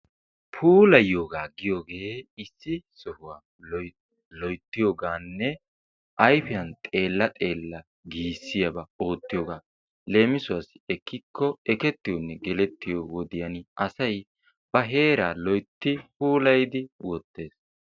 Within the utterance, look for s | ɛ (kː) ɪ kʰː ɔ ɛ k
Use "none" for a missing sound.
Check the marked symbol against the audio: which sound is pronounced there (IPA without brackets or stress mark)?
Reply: kː